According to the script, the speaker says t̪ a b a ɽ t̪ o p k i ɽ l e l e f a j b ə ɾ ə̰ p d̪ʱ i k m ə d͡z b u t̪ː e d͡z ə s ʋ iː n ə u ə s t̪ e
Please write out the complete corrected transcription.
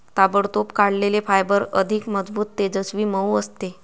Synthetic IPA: t̪ a b ə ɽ t̪ o p k a ɽ l e l e f a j b ə ɾ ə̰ d̪ʱ i k m ə d͡z b uː t̪ː e d͡z ə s ʋ iː m ə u ə s t̪ e